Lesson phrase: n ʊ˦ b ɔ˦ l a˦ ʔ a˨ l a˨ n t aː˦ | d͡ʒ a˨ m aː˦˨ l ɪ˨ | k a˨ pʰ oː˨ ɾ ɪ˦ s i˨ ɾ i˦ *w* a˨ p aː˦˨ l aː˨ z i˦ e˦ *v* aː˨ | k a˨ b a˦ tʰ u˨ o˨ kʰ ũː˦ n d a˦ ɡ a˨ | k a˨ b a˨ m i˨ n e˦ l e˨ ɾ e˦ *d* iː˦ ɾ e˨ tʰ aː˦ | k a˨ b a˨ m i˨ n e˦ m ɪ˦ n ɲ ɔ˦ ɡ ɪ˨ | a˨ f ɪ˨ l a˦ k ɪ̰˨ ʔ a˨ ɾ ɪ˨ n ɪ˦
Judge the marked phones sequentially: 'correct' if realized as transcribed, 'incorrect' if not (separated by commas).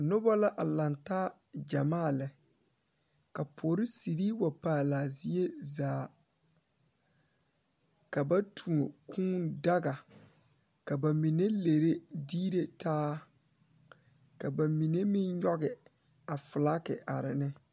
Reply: correct, incorrect, correct